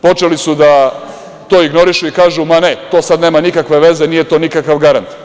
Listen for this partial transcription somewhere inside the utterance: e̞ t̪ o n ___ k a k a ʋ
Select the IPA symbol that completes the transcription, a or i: i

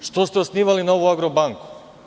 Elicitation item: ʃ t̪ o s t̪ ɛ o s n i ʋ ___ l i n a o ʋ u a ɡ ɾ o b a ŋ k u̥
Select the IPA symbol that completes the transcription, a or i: a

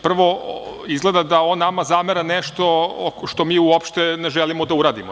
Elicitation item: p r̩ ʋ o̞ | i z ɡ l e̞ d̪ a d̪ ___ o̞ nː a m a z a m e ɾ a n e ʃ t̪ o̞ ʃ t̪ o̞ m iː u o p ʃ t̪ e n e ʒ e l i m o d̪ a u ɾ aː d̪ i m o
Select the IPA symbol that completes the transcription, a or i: a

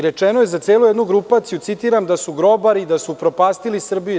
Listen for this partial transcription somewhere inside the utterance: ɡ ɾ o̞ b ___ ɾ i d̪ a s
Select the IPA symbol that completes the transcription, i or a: a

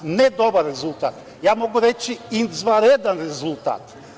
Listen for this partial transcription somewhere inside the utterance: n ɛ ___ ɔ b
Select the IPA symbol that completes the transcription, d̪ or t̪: d̪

